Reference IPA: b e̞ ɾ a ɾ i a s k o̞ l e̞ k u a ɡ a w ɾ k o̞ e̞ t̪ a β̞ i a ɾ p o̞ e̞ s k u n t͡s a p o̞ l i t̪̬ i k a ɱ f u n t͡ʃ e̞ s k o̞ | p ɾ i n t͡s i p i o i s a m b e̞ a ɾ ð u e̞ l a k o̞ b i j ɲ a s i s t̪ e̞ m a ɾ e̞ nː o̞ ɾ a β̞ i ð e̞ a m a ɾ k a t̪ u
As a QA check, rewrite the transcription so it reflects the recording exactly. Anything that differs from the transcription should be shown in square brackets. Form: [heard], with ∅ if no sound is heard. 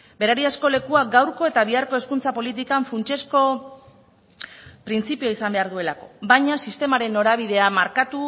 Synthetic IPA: b e̞ ɾ a ɾ i a s k o̞ l e̞ k u a ɡ a w ɾ k o̞ e̞ t̪ a β̞ i a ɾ [k] o̞ e̞ s k u n t͡s a p o̞ l i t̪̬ i k a ɱ f u n t͡ʃ e̞ s k o̞ | p ɾ i n t͡s i p i o i s a m b e̞ a ɾ ð u e̞ l a k o̞ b [a] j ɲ a s i s t̪ e̞ m a ɾ e̞ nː o̞ ɾ a β̞ i ð e̞ a m a ɾ k a t̪ u